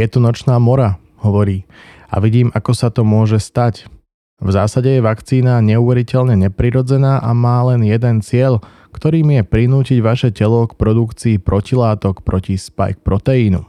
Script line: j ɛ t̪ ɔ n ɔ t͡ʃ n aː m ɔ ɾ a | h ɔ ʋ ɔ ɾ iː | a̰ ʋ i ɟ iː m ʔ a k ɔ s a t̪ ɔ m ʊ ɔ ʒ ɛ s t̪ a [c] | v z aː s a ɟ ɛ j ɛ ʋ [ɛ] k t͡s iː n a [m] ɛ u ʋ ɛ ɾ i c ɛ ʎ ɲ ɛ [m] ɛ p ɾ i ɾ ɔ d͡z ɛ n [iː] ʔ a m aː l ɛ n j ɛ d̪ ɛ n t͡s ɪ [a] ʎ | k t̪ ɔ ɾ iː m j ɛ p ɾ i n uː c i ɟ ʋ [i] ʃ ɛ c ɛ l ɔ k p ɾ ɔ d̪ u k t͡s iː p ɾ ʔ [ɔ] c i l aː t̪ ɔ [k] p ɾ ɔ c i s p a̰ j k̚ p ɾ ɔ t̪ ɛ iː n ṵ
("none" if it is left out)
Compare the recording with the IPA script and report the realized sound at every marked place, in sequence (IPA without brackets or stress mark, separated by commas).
c, a, ɲ, ɲ, aː, ɛ, a, ɔ, k